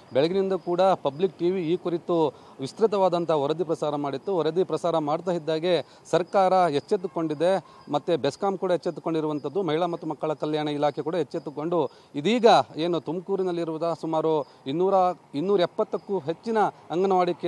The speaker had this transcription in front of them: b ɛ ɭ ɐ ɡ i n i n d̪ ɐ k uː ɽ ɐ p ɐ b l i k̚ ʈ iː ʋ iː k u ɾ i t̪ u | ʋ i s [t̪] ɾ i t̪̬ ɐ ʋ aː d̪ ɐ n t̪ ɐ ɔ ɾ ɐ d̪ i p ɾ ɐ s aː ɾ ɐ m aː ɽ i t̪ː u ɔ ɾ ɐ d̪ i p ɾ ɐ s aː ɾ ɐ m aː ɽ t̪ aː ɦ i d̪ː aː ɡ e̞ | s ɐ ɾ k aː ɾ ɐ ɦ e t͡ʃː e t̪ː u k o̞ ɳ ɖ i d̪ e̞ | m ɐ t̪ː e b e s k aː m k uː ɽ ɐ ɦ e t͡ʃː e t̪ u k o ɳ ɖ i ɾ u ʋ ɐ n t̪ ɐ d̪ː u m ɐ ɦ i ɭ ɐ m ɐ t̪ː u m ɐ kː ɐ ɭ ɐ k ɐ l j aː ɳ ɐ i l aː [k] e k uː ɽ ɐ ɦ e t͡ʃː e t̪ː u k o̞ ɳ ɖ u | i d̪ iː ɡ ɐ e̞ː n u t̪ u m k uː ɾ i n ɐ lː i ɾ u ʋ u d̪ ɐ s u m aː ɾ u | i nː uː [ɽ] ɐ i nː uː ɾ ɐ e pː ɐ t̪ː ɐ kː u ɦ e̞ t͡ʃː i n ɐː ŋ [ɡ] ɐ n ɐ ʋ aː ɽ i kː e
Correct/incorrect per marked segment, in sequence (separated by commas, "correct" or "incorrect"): correct, incorrect, incorrect, correct